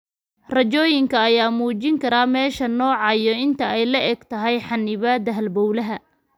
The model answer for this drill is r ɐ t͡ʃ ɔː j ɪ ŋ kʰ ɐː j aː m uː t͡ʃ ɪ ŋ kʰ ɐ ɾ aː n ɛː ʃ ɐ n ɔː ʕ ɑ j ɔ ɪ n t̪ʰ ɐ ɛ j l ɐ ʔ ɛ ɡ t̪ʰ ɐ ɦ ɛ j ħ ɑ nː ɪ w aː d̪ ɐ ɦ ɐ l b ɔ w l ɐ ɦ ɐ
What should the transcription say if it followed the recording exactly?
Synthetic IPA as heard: r ɐ t͡ʃ ɔː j ɪ ŋ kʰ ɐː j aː m uː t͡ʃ ɪ ŋ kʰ ɐ ɾ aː m ɛː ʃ ɐ n ɔː ʕ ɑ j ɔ ɪ n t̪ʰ ɐ ɛ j l ɐ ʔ ɛ ɡ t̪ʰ ɐ ɦ ɛ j ħ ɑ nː ɪ β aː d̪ ɐ ɦ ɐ l b ɔ w l ɐ ɦ ɐ

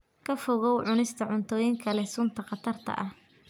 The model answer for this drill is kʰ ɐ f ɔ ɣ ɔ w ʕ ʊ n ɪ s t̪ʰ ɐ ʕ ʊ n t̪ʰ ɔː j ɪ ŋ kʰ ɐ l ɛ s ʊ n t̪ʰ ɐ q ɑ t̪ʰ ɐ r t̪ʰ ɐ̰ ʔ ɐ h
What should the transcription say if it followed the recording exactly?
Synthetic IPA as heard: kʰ ɐ f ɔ ɣ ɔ w ʕ ʊ n ɪ s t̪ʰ ɐ ʕ ʊ n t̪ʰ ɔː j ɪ ŋ kʰ ɐ l ɛ s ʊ n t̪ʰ ɐ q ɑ t̪ʰ ɐ r t̪ʰ ɐ̰ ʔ ɐ h

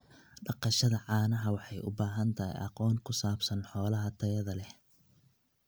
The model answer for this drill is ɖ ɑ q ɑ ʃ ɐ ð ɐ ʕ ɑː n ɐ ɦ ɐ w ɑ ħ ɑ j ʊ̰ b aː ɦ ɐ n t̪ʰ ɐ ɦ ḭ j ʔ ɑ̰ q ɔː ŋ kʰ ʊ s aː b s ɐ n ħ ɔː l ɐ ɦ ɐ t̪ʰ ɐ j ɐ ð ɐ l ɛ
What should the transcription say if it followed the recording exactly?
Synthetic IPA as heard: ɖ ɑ q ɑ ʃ ɐ ð ɐ ʕ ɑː n ɐ ɦ ɐ w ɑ ħ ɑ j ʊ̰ b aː ɦ ɐ n t̪ʰ ɐ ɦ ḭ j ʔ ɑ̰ q ɔː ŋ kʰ ʊ s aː b s ɐ n ħ ɔː l ɐ ɦ ɐ t̪ʰ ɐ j ɐ ð ɐ l ɛ

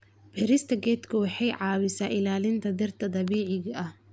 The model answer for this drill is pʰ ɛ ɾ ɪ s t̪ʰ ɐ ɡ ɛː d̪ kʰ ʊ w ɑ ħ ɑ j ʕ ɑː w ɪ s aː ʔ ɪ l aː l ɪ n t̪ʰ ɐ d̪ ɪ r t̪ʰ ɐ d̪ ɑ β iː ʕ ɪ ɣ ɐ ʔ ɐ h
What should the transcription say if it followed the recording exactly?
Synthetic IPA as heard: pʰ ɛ ɾ ɪ s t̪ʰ ɐ ɡ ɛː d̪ kʰ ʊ w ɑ ħ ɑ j ʕ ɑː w ɪ s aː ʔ ɪ l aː l ɪ n t̪ʰ ɐ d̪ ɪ r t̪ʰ ɐ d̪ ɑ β iː ʕ ɪ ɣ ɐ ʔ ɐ h

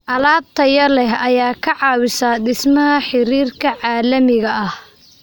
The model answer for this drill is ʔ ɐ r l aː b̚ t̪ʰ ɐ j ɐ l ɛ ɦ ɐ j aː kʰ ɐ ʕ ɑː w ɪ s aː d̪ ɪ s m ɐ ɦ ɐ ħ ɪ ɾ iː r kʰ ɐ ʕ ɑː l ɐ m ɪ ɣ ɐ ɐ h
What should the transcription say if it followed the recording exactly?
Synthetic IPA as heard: ʔ ɐ l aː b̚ t̪ʰ ɐ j ɐ l ɛ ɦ ɐ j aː kʰ ɐ ʕ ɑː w ɪ s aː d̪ ɪ s m ɐ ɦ ɐ ħ ɪ ɾ iː r kʰ ɐ ʕ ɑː l ɐ m ɪ ɣ ɐ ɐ h

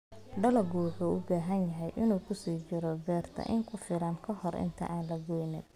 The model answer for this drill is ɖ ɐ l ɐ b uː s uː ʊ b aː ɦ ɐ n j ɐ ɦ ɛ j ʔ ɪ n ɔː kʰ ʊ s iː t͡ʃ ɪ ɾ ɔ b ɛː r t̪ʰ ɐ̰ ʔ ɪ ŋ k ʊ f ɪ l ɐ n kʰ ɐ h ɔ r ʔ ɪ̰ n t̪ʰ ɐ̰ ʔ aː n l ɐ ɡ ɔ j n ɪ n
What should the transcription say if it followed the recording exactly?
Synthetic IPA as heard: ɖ ɐ l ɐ ɡ uː ħ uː ʊ b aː ɦ ɐ n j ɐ ɦ ɛ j ʔ ɪ n uː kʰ ʊ s iː t͡ʃ ɪ ɾ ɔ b ɛː r t̪ʰ ɐ̰ ʔ ɪ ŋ kʰ ʊ f ɪ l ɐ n kʰ ɐ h ɔ r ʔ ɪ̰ n t̪ʰ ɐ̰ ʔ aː n l ɐ ɡ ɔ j n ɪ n

